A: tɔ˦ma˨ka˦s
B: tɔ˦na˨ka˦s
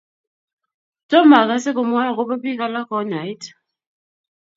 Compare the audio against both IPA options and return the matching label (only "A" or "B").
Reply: A